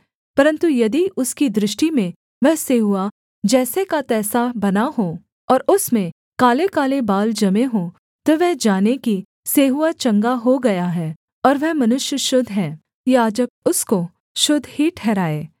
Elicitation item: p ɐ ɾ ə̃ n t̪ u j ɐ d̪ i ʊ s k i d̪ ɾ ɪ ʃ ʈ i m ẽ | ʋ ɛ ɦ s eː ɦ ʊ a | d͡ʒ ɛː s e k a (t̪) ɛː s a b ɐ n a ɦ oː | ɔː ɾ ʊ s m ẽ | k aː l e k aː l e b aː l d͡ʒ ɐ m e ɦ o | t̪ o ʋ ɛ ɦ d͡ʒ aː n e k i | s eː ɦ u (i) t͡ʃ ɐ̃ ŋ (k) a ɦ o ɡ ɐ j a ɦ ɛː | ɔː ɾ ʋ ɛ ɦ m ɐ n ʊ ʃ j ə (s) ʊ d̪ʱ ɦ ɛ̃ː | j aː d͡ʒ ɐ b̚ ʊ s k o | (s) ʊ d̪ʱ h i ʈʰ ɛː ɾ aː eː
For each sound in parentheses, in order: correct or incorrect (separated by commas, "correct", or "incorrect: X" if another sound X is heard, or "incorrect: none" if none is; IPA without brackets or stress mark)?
correct, incorrect: a, incorrect: ɡ, incorrect: ʃ, incorrect: ʃ